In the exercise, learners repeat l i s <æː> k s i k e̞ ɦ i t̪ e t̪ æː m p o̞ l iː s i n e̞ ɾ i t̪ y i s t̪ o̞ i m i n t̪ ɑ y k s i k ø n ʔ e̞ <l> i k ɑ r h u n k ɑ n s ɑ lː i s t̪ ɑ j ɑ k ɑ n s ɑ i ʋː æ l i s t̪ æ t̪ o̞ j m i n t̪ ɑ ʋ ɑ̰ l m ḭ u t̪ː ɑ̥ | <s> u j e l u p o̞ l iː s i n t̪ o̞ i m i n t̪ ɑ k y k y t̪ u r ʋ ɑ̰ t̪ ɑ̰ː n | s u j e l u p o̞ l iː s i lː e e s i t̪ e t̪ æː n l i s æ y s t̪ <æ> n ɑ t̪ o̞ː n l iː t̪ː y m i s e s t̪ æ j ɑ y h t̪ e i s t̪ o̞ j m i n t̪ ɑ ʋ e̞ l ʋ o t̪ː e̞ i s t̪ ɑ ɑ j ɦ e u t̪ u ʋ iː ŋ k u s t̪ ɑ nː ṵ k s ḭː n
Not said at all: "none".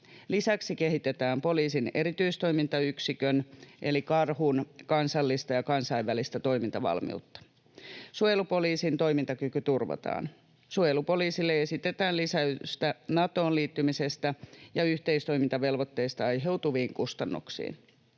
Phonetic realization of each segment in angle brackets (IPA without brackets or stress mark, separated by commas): æ, l, s, æ